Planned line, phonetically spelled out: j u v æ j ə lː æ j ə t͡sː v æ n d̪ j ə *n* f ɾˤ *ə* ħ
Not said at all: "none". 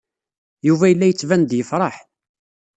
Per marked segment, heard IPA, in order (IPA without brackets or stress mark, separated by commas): none, ɑ